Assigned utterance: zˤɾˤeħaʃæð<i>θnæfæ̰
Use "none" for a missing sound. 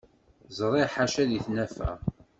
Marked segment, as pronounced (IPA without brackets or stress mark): i